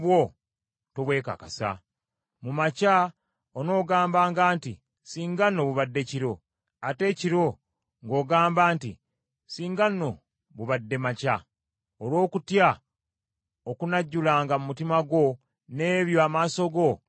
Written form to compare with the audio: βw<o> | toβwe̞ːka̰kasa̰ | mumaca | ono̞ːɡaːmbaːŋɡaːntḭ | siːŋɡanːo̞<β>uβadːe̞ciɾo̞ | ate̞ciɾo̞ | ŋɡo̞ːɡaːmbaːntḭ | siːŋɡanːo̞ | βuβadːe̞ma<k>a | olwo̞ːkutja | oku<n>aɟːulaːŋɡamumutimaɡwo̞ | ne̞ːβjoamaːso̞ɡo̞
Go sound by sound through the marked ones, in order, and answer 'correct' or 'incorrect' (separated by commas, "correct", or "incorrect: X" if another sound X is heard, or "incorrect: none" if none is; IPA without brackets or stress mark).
correct, correct, incorrect: c, correct